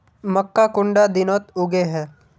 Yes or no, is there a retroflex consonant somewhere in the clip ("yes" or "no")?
yes